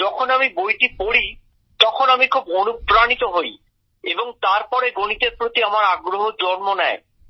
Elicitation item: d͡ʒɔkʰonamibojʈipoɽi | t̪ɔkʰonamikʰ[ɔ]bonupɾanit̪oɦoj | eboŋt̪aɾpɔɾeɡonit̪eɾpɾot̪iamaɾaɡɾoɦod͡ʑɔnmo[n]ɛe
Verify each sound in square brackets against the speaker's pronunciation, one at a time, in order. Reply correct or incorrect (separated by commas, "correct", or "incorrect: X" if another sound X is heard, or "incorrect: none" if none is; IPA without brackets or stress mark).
incorrect: u, correct